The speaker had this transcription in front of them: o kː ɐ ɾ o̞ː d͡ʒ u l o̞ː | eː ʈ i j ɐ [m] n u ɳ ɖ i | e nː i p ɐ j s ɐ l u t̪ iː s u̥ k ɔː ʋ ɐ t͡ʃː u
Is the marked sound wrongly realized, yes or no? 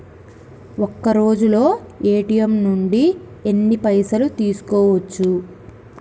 no